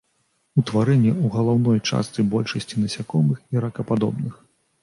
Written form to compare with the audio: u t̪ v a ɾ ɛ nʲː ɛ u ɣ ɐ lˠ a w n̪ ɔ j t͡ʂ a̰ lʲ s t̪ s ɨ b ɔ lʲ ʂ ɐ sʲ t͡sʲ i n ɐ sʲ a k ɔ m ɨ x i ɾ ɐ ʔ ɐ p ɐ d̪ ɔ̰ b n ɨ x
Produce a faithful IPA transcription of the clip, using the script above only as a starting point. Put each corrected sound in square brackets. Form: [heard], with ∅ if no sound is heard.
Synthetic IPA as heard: u t̪ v a ɾ ɛ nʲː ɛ u ɣ ɐ lˠ a w n̪ ɔ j t͡ʂ a̰ [∅] s t̪ s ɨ b ɔ lʲ ʂ ɐ sʲ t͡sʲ i n ɐ sʲ a k ɔ m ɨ x i ɾ ɐ [k] ɐ p [a] d̪ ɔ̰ b n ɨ x

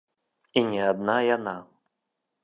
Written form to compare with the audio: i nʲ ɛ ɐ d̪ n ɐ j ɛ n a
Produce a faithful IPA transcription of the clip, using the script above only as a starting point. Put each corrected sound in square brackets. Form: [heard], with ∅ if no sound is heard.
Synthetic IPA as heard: i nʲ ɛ [a] d̪ n [a] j [a] n a

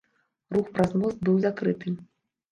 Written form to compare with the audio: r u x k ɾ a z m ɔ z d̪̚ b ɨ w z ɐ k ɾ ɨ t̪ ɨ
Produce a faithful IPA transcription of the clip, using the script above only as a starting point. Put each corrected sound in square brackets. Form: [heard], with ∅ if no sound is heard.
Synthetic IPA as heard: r u x [p] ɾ a z m ɔ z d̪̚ b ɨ w z [a] k ɾ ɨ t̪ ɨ

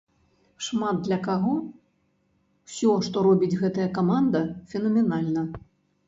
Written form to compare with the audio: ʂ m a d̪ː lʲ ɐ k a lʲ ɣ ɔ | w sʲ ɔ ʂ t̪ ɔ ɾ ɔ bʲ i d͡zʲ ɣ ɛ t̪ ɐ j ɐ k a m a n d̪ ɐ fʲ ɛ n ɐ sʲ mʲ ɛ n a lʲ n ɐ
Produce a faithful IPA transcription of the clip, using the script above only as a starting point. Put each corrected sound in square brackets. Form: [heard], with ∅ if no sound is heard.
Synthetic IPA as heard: ʂ m a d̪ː lʲ ɐ k a [∅] ɣ ɔ | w sʲ ɔ ʂ t̪ ɔ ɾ ɔ bʲ i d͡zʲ ɣ ɛ t̪ ɐ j ɐ k a m a n d̪ ɐ fʲ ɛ n ɐ [∅] mʲ ɛ n a lʲ n ɐ

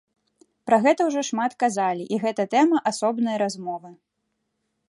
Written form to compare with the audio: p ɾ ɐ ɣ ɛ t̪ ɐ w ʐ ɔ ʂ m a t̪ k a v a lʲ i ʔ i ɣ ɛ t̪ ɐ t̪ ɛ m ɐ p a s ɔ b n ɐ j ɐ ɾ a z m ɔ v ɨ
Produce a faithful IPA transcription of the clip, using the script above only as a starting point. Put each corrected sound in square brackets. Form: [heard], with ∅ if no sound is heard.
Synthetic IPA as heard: p ɾ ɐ ɣ ɛ t̪ ɐ w ʐ ɔ ʂ m a t̪ k a [z] a lʲ i ʔ i ɣ ɛ t̪ ɐ t̪ ɛ m ɐ [ʔ] a s ɔ b n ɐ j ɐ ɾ a z m ɔ v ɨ

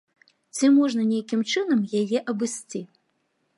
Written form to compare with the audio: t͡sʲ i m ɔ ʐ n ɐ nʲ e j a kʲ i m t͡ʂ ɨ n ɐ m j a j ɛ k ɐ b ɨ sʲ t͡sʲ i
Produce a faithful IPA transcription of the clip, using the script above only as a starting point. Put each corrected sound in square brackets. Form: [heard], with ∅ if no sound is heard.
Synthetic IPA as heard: t͡sʲ i m ɔ ʐ n ɐ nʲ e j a kʲ i m t͡ʂ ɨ n ɐ m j a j ɛ [ʔ] ɐ b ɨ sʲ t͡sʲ i

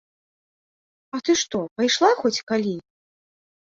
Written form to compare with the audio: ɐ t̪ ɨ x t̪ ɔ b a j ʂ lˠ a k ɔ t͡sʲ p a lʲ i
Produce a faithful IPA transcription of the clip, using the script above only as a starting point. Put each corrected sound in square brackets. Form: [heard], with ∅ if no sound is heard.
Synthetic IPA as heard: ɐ t̪ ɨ [ʂ] t̪ ɔ [p] a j ʂ lˠ a [x] ɔ t͡sʲ [k] a lʲ i

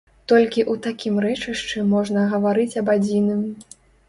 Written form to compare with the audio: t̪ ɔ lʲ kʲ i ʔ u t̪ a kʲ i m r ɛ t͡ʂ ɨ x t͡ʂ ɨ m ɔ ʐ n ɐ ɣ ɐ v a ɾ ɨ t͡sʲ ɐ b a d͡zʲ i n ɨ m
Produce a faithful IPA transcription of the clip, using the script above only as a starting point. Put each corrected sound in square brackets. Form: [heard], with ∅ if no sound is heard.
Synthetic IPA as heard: t̪ ɔ lʲ kʲ i ʔ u t̪ a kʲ i m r ɛ t͡ʂ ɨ [ʂ] t͡ʂ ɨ m ɔ ʐ n ɐ ɣ ɐ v a ɾ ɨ t͡sʲ ɐ b a d͡zʲ i n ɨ m

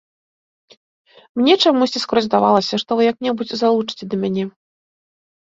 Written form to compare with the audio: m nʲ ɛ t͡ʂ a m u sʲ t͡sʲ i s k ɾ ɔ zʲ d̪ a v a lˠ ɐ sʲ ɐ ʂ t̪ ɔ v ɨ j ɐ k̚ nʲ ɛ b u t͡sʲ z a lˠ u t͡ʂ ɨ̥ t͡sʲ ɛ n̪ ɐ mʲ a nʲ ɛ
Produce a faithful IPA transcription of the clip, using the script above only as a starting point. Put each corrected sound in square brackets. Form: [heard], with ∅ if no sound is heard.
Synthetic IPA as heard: m nʲ ɛ t͡ʂ a m u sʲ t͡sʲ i s k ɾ ɔ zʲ d̪ a v a lˠ ɐ sʲ ɐ ʂ t̪ ɔ v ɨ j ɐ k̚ nʲ ɛ b u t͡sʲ z a lˠ u t͡ʂ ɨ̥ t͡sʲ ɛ [d̪] ɐ mʲ a nʲ ɛ

